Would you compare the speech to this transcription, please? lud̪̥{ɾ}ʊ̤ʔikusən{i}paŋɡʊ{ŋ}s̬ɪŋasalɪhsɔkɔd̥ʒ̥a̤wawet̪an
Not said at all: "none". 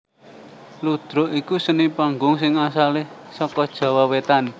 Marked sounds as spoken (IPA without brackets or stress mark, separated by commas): ɾ, i, ŋ